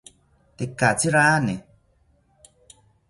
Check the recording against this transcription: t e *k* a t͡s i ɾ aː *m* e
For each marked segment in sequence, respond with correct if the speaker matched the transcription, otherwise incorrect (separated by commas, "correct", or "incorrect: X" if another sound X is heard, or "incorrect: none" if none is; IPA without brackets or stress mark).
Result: correct, incorrect: n